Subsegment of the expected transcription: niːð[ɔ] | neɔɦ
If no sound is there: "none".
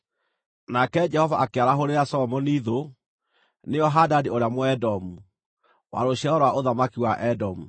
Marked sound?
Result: o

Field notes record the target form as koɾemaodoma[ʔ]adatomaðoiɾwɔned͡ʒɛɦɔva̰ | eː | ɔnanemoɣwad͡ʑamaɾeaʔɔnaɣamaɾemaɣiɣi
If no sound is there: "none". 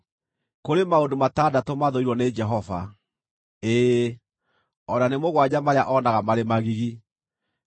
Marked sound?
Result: t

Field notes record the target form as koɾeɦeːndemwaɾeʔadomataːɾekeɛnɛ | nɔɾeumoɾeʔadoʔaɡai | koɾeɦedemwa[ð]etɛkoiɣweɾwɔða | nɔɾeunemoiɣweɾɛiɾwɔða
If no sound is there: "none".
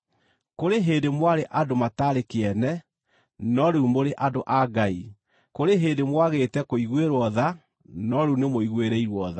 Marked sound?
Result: ɣ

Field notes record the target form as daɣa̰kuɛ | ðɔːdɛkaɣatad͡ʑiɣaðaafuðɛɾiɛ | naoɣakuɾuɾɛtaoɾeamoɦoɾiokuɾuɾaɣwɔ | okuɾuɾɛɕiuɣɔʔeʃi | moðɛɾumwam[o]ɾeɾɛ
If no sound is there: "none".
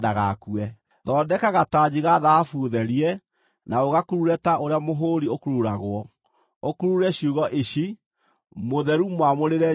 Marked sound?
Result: o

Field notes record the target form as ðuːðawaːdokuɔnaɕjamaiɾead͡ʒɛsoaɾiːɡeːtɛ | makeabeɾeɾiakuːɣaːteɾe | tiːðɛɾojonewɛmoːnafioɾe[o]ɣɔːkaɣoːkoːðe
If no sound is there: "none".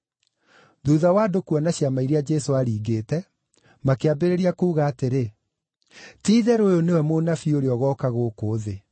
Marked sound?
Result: ɔ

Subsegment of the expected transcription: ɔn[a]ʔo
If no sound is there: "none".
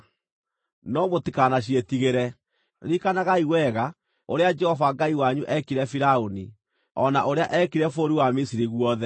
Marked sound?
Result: a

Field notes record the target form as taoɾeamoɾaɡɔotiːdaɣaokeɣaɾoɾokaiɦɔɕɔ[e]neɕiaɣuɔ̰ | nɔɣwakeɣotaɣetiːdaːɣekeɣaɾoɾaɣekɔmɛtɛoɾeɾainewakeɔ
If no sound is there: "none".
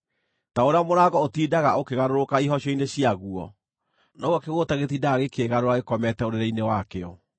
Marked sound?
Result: i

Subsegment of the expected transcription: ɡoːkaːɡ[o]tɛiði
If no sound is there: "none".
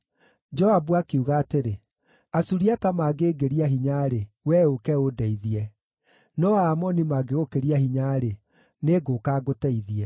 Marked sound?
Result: o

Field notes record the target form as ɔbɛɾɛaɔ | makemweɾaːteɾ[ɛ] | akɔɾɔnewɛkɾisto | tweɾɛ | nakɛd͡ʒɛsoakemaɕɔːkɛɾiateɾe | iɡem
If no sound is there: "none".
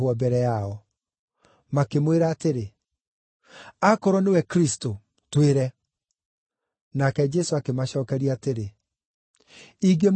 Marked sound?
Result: e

